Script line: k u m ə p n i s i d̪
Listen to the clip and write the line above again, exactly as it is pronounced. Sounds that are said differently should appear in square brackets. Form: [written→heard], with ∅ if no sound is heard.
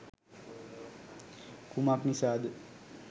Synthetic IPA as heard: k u m [ə→a] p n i s [i→a] d̪